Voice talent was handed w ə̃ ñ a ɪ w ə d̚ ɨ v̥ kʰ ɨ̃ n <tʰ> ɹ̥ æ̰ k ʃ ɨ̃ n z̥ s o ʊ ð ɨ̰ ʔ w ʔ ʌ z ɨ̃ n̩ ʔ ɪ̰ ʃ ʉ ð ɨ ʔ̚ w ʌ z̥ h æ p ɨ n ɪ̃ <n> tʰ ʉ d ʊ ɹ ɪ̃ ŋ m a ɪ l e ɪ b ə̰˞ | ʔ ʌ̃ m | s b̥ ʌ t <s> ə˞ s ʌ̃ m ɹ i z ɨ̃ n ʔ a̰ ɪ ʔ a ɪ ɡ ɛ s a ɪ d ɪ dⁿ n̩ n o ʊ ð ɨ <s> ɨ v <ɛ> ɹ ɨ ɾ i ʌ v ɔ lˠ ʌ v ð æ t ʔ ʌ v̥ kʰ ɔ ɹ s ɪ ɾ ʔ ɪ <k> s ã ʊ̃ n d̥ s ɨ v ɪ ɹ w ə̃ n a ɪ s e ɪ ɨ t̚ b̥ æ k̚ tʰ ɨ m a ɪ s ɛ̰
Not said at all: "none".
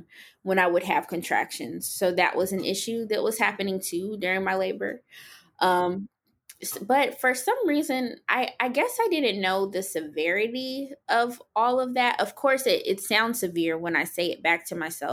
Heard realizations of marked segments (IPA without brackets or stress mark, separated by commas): tʰ, ŋ, f, s, ɛ, t